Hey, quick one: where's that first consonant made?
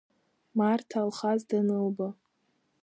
lips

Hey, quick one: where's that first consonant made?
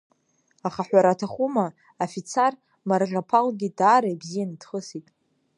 uvula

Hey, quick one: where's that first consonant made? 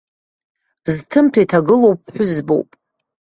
tongue tip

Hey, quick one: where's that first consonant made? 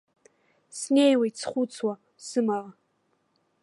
tongue tip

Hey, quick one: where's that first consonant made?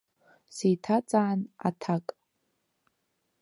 tongue tip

